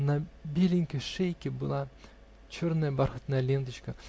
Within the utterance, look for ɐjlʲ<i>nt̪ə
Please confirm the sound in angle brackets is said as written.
no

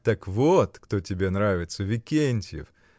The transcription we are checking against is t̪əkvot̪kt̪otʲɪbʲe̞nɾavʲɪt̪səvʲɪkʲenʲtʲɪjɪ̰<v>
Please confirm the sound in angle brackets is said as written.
no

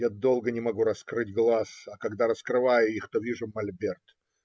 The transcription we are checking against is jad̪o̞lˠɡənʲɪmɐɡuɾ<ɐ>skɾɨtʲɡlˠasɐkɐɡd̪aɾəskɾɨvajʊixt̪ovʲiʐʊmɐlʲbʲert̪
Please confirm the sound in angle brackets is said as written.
yes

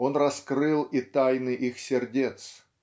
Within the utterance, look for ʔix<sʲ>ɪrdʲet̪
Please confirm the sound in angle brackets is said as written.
yes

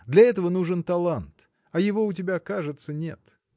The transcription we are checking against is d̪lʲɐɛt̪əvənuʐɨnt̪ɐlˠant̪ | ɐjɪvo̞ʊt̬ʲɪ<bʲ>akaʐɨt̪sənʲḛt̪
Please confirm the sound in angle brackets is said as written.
yes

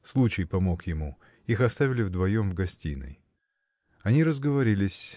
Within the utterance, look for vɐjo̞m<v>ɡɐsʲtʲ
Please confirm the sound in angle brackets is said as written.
yes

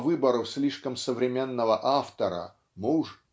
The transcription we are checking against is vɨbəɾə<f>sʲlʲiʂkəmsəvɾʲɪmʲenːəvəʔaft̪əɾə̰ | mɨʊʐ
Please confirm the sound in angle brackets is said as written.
yes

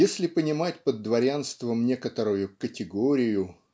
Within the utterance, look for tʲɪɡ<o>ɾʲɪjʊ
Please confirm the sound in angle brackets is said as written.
yes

